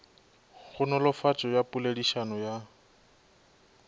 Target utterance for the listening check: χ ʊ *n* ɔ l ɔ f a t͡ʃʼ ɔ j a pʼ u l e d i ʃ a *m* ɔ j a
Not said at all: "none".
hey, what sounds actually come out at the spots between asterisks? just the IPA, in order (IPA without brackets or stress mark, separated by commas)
n, n